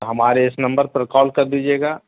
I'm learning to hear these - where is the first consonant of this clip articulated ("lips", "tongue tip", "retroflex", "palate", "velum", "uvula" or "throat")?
throat